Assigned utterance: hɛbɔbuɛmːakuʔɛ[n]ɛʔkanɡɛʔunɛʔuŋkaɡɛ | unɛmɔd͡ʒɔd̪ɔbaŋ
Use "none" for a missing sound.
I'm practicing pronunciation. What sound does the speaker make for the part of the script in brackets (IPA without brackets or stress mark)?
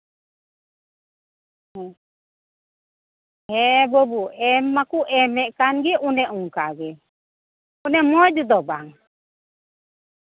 m